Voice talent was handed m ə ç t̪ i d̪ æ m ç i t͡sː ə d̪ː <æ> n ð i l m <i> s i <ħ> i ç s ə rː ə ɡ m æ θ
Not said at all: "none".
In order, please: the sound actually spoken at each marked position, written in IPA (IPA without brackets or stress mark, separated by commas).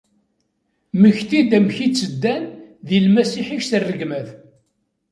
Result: æ, æ, ħ